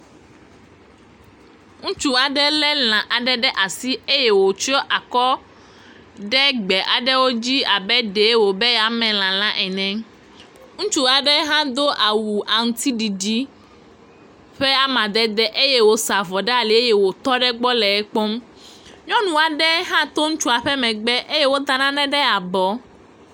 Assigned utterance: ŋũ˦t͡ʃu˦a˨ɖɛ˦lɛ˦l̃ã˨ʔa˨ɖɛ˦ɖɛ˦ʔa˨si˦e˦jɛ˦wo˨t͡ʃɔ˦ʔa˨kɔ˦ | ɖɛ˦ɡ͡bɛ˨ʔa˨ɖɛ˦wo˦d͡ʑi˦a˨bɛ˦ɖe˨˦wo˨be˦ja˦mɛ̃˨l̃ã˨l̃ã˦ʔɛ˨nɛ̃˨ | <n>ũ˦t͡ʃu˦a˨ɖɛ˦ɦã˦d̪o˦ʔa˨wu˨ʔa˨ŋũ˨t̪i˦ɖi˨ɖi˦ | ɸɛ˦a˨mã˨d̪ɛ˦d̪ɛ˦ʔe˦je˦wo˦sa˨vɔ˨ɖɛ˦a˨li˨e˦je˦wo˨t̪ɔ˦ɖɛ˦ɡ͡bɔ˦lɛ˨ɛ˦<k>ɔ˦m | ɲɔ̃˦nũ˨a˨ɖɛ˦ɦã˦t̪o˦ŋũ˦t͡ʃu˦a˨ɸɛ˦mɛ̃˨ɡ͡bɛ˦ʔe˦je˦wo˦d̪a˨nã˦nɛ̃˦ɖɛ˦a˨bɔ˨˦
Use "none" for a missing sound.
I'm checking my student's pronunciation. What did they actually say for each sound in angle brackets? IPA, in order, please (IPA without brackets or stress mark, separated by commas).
ŋ, k͡p